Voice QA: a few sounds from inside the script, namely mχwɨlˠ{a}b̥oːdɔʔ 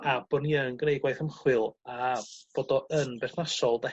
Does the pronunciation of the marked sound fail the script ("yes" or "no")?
no